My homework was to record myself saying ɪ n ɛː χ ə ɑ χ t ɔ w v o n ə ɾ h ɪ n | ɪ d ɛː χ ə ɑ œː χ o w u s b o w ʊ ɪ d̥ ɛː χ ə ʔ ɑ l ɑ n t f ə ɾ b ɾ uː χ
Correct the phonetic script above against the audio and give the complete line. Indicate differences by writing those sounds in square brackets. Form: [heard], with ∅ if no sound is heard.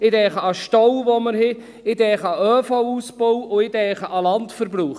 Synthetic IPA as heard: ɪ [d] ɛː χ ə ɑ [ʃ] t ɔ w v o [m] ə ɾ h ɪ [∅] | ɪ d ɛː χ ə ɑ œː [f] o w u s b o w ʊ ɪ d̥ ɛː χ ə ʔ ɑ l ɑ n t f ə ɾ b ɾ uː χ

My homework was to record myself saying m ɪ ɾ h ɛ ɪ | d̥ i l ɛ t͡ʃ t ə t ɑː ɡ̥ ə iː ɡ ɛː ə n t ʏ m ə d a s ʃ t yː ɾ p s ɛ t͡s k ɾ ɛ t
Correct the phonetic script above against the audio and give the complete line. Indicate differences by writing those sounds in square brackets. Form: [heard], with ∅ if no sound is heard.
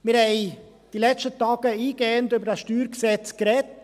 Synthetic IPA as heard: m ɪ ɾ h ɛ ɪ | d̥ i l ɛ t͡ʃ t ə t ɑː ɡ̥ ə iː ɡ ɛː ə n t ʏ [b] ə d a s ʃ t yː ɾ [k] s ɛ t͡s k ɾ ɛ t

